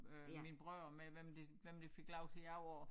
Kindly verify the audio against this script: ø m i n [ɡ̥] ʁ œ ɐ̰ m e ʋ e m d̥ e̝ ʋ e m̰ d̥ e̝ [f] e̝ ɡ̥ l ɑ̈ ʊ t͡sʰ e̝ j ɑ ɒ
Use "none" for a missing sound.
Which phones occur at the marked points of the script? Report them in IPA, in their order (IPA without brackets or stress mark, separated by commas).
b̥, f